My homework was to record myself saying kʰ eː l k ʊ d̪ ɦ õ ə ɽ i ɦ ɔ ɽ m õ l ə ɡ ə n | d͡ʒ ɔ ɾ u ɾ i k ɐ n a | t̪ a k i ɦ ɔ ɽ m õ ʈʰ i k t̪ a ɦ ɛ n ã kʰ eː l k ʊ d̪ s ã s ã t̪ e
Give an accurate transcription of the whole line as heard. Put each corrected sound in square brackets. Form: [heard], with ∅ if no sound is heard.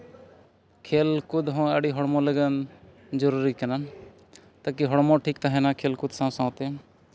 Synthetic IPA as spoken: kʰ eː l k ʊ d̪ ɦ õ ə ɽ i ɦ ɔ ɽ m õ l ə ɡ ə n | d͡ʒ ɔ ɾ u ɾ i k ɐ n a | t̪ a k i ɦ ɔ ɽ m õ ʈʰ i k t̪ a ɦ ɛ n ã kʰ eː l k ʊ d̪ s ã s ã t̪ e

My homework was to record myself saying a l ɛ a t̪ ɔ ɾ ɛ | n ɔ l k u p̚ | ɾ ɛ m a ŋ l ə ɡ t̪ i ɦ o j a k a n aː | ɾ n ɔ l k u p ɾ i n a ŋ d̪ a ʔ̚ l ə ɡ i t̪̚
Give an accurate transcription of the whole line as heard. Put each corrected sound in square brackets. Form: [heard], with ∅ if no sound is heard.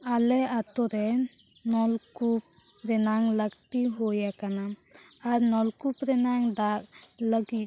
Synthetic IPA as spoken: a l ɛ a t̪ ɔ ɾ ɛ | n ɔ l k u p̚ | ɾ ɛ [n] a ŋ l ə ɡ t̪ i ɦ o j a k a n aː | ɾ n ɔ l k u p ɾ [ɛ] n a ŋ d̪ a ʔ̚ l ə ɡ i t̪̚

